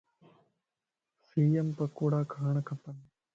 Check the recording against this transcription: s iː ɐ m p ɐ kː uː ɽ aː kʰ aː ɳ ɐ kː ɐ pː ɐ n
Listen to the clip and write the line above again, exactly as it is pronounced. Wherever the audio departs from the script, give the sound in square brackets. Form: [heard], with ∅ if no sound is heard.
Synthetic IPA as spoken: s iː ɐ m p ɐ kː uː ɽ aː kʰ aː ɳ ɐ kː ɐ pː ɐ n